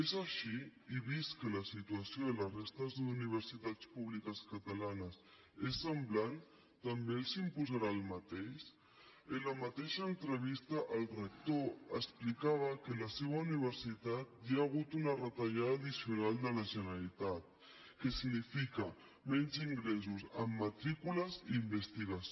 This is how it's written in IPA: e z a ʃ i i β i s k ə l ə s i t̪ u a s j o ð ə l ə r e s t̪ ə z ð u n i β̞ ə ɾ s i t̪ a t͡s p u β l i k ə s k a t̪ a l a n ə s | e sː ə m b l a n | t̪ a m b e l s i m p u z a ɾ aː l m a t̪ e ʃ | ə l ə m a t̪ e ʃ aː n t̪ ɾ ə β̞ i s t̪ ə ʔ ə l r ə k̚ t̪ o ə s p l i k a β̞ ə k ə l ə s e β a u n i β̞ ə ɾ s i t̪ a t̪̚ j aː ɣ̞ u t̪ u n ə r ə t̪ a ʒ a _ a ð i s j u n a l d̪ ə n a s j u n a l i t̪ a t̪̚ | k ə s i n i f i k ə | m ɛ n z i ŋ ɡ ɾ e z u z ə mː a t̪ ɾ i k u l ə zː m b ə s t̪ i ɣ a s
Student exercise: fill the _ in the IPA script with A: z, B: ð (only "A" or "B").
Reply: B